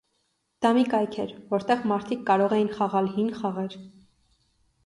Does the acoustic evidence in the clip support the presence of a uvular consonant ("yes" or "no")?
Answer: yes